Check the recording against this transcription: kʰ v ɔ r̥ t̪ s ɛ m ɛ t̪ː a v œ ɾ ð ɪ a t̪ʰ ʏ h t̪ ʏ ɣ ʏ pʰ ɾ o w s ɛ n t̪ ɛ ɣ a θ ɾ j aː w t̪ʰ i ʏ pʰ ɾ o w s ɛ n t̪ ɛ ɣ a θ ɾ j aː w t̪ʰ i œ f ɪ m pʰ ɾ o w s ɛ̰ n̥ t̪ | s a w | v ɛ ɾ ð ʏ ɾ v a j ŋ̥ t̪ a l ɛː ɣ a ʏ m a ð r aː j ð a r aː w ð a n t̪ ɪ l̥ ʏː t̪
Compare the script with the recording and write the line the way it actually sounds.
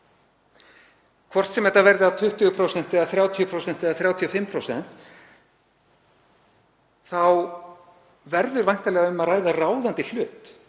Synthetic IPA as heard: kʰ v ɔ r̥ t̪ s ɛ m ɛ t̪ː a v ɛ ɾ ð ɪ a t̪ʰ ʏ h t̪ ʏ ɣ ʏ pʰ ɾ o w s ɛ n t̪ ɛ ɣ a θ ɾ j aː w t̪ʰ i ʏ pʰ ɾ o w s ɛ n t̪ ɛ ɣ a θ ɾ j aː w t̪ʰ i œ f ɪ m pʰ ɾ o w s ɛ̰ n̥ t̪ | θ a w | v ɛ ɾ ð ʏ ɾ v a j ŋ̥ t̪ a l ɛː ɣ a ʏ m a ð r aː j ð a r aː w ð a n t̪ ɪ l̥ ʏː t̪

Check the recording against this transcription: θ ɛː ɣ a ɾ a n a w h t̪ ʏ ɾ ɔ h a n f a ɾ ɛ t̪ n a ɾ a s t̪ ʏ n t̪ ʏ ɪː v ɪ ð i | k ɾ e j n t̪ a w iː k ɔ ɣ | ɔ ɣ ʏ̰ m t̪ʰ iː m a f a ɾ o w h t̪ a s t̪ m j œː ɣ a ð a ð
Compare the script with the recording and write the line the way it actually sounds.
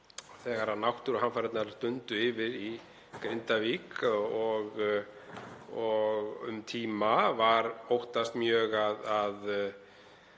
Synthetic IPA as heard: θ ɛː ɣ a ɾ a n a w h t̪ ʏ ɾ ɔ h a n f a ɾ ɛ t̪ n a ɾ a s t̪ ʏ n t̪ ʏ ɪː v ɪ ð i | k ɾ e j n t̪ a v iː k ɔ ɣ | ɔ ɣ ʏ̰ m t̪ʰ iː m a v a ɾ o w h t̪ a s t̪ m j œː ɣ a ð a ð

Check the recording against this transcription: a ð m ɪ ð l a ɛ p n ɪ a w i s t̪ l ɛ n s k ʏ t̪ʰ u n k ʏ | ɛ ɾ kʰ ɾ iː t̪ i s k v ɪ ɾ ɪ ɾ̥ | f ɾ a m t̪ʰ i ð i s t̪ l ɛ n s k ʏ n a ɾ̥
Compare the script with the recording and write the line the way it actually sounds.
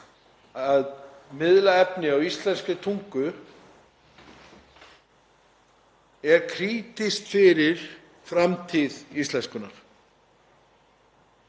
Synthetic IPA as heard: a ð m ɪ ð l a ɛ p n ɪ a w i s t̪ l ɛ n s k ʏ t̪ʰ u ŋ k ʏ | ɛ ɾ kʰ ɾ iː t̪ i s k f ɪ ɾ ɪ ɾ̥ | f ɾ a m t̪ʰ i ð i s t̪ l ɛ n s k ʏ n a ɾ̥

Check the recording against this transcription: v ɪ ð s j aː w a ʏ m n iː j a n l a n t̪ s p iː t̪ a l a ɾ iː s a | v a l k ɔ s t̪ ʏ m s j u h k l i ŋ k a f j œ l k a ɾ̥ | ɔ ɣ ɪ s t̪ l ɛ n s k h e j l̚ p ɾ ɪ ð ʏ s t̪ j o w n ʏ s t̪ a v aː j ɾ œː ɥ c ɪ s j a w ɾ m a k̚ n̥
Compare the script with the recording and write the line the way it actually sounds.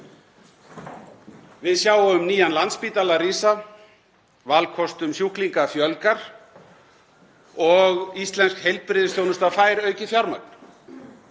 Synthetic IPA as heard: v ɪ ð s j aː w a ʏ m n iː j a n l a n t̪ s p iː t̪ a l a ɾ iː s a | v a l kʰ ɔ s t̪ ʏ m s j u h k l i ŋ k a f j œ l k a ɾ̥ | ɔ ɣ i s t̪ l ɛ n s k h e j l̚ p ɾ ɪ ð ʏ s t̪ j o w n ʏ s t̪ a f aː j ɾ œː ɥ c ɪ f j a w ɾ m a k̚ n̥

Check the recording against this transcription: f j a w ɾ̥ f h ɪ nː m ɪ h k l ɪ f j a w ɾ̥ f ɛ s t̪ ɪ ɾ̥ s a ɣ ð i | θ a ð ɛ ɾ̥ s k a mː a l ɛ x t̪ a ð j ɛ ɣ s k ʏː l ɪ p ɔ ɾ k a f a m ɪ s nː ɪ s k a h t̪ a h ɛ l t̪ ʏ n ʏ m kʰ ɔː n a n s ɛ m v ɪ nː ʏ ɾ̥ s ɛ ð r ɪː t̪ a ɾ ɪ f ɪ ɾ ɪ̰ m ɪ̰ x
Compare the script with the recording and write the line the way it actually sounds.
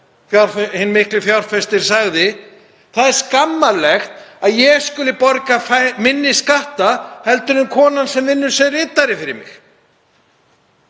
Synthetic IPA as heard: f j a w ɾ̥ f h ɪ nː m ɪ h k l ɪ f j a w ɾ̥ f ɛ s t̪ ɪ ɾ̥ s a ɣ ð ɪ | θ a ð ɛ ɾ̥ s k a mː a l ɛ x t̪ a ð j ɛ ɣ s k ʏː l ɪ p ɔ ɾ k a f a m ɪ nː ɪ s k a h t̪ a h ɛ l t̪ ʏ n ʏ m kʰ ɔː n a n s ɛ m v ɪ nː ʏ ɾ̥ s ɛ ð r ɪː t̪ a ɾ ɪ f ɪ ɾ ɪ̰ m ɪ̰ x

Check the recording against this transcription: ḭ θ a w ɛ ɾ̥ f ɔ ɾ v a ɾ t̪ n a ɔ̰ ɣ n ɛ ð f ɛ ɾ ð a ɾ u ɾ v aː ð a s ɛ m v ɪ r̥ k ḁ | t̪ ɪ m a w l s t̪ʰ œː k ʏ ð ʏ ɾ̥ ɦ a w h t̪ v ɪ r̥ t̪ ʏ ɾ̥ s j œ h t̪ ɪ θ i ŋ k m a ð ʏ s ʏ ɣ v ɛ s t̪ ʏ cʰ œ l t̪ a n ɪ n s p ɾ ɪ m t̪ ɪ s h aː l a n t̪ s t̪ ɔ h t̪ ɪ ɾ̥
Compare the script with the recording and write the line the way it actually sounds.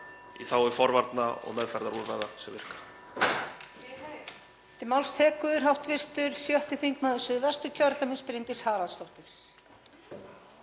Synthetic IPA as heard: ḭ θ a w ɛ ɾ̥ f ɔ ɾ v a ɾ t̪ n a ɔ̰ ɣ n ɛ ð f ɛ ɾ ð a ɾ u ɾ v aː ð a s ɛ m v ɪ r̥ k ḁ | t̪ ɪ m a w l s t̪ʰ ɛː k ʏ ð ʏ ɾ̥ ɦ a w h t̪ v ɪ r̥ t̪ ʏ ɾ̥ s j œ h t̪ ɪ θ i ŋ k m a ð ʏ s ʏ ð v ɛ s t̪ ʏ cʰ œ ɾ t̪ a m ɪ n s p ɾ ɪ n t̪ ɪ s h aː l a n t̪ s t̪ ɔ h t̪ ɪ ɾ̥

